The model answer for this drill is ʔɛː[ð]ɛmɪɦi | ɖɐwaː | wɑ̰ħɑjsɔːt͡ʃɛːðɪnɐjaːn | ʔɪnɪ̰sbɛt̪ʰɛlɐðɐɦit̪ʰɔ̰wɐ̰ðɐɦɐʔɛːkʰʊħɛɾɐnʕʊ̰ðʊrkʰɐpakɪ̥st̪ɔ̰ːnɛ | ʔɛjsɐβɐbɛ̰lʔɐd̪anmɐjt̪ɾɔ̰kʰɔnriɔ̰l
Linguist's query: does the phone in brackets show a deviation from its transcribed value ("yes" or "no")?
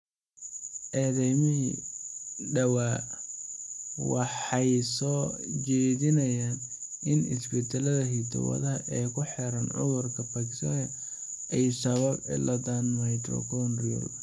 no